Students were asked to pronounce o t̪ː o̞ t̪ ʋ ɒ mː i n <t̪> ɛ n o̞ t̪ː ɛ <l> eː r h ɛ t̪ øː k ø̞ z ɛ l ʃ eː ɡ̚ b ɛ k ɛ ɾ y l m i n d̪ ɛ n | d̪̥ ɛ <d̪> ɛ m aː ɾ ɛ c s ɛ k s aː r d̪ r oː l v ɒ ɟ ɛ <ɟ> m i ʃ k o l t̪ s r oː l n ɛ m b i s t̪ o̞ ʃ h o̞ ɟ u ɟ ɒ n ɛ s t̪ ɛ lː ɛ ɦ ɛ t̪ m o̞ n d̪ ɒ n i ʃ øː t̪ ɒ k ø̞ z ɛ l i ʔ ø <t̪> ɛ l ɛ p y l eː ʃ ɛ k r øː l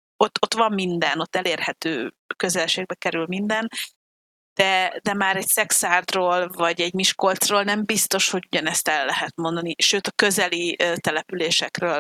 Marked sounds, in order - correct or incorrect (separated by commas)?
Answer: incorrect, correct, correct, correct, correct